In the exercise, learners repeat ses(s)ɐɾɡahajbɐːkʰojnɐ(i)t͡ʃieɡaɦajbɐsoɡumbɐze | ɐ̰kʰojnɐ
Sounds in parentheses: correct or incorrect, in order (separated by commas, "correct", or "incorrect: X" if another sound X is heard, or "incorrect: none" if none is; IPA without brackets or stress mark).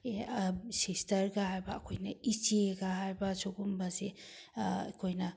incorrect: t, correct